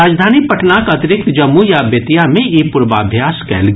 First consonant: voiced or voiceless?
voiced